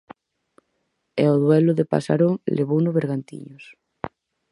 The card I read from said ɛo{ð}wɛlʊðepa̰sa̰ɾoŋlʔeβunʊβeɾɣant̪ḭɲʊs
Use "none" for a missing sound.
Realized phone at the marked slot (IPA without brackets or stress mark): ð